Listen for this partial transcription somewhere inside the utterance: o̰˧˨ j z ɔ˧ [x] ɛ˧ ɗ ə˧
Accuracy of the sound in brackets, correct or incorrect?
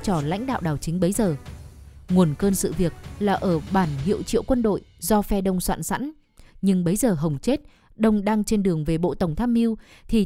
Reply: incorrect